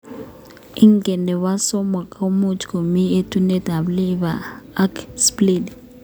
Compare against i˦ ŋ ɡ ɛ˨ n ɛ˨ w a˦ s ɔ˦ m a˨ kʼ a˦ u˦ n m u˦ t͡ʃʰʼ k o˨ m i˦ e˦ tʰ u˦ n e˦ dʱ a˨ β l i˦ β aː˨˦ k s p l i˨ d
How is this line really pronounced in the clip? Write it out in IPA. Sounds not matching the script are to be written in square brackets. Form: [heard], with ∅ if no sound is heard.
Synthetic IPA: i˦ ŋ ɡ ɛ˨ n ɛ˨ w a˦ s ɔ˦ m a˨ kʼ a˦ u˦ [∅] m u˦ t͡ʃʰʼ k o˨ m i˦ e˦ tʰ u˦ n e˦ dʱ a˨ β l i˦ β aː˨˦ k s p l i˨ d